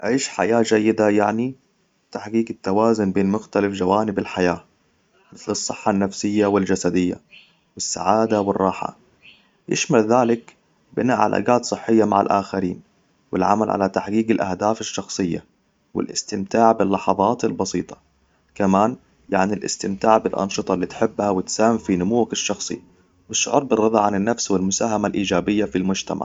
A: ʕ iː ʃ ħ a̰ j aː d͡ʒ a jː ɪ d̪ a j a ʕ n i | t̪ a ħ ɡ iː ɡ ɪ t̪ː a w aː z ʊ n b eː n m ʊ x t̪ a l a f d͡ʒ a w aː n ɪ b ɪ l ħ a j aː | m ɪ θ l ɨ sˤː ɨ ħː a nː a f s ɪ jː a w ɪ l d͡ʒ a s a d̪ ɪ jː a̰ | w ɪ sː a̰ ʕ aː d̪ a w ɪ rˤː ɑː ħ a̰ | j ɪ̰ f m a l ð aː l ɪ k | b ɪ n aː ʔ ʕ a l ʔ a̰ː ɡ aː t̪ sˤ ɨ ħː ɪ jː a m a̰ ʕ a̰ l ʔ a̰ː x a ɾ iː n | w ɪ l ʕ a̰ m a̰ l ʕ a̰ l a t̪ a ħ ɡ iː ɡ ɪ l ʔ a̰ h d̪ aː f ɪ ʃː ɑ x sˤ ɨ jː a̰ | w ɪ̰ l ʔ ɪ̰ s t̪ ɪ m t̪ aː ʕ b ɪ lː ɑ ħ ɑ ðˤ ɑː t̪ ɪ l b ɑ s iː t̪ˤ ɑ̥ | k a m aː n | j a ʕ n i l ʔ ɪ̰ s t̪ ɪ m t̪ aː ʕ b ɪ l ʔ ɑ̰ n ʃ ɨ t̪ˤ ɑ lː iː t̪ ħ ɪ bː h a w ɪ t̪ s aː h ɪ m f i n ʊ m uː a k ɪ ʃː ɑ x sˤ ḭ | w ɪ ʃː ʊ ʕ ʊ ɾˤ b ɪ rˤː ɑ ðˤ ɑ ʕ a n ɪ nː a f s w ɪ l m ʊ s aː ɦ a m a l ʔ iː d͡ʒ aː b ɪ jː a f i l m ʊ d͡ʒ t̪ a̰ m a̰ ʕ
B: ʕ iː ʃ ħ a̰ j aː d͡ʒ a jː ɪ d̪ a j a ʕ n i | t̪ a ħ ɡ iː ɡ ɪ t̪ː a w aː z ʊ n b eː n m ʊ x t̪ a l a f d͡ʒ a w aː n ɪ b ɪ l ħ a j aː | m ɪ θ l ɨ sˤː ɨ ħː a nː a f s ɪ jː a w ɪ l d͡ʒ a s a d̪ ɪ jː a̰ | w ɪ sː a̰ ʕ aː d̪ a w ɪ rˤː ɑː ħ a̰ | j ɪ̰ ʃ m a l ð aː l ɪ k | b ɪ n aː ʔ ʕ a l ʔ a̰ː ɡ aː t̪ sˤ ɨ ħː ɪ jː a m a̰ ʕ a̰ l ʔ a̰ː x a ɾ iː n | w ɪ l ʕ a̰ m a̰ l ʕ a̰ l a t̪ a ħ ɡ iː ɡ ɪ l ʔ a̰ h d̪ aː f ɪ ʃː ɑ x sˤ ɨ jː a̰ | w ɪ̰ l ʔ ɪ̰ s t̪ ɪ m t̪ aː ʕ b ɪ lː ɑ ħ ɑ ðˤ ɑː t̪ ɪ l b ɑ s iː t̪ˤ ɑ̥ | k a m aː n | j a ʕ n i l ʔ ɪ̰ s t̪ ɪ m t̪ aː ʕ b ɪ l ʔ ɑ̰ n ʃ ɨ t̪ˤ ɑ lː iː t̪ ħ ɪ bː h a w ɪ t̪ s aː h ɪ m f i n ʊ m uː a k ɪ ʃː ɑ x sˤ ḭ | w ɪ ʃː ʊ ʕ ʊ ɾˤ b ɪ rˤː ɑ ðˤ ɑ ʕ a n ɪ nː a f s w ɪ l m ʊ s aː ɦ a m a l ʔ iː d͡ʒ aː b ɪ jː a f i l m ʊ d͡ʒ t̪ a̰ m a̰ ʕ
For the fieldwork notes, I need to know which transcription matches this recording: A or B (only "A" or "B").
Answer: B